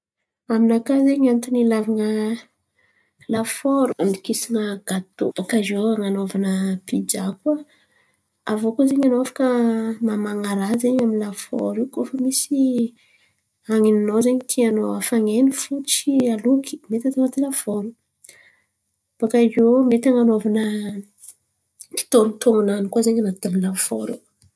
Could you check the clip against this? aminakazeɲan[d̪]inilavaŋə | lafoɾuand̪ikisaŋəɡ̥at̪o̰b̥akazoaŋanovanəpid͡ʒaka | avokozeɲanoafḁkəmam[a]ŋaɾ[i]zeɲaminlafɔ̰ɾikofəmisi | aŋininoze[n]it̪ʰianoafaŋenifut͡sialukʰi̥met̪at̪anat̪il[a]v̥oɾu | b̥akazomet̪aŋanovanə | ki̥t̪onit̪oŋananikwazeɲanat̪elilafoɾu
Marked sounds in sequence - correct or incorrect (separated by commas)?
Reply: incorrect, correct, incorrect, incorrect, correct